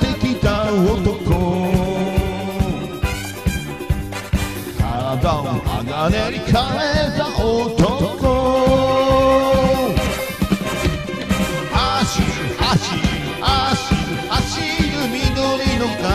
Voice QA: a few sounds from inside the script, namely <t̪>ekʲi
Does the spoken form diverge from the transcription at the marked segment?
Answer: no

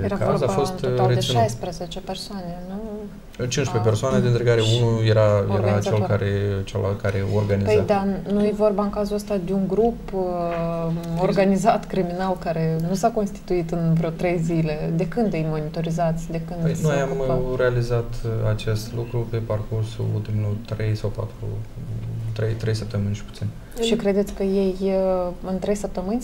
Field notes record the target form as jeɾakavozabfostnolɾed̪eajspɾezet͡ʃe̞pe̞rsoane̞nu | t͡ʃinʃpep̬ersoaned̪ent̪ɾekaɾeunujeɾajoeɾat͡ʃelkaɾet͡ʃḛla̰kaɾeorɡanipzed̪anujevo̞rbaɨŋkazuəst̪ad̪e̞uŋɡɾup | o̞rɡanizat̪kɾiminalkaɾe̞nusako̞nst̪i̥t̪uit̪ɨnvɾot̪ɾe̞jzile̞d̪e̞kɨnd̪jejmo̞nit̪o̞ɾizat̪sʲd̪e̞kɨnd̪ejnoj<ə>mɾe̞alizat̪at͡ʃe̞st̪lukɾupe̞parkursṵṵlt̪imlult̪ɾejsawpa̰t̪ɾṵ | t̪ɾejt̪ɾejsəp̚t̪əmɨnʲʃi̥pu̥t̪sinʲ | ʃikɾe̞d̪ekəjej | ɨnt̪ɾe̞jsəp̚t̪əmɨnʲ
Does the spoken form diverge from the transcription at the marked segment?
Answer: yes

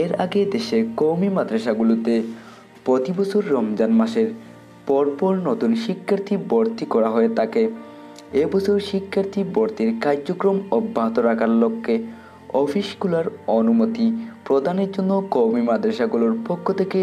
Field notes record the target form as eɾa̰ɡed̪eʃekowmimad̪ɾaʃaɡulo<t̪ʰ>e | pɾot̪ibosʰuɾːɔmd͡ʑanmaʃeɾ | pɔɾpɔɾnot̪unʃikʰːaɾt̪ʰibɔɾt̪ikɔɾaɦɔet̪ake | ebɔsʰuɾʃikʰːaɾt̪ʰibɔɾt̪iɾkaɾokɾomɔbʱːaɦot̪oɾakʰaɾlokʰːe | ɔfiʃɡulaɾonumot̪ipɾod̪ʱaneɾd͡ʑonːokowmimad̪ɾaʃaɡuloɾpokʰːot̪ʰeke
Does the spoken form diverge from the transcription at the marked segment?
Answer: yes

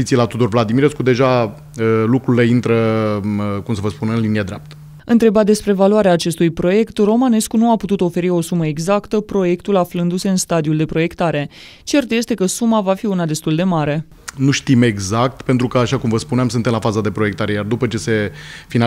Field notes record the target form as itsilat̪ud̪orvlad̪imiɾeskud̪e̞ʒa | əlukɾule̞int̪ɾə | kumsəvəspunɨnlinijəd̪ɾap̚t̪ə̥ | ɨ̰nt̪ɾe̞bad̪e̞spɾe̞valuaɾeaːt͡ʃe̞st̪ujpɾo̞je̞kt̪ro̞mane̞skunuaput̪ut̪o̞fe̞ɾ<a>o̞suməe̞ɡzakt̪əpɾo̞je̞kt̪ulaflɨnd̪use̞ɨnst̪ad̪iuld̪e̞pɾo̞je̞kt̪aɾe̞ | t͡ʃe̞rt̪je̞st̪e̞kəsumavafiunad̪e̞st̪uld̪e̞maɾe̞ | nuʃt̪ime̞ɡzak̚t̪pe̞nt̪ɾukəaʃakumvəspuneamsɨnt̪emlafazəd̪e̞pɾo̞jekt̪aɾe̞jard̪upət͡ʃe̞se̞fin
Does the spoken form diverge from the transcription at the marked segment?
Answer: yes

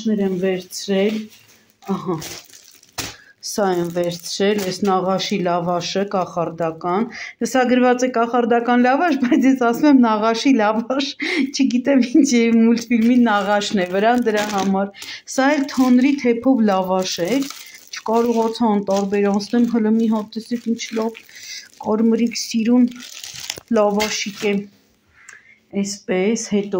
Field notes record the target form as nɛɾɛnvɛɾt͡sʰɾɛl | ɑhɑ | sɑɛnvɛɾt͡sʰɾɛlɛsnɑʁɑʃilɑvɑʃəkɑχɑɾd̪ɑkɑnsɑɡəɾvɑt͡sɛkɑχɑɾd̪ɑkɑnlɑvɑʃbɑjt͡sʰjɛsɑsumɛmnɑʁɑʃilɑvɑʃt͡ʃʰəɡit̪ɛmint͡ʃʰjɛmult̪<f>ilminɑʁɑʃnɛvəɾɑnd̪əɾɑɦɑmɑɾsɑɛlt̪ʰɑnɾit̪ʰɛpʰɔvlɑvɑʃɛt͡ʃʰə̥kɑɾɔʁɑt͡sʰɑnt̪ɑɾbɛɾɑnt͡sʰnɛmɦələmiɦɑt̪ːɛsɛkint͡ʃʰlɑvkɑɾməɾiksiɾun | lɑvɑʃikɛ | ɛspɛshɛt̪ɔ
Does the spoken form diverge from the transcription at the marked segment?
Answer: no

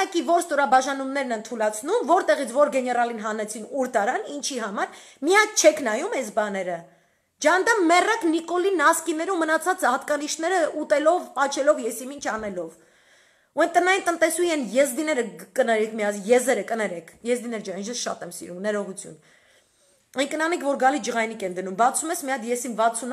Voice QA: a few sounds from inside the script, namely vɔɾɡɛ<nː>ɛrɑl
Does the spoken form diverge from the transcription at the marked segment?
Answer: yes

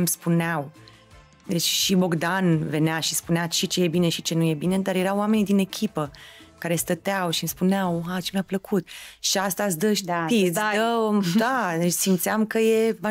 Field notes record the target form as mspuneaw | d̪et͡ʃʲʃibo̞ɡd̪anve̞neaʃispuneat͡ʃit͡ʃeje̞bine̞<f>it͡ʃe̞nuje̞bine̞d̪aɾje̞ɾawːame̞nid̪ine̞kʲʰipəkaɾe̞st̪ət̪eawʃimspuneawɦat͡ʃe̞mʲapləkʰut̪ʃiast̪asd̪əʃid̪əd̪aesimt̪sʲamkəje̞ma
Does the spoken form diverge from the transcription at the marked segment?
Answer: yes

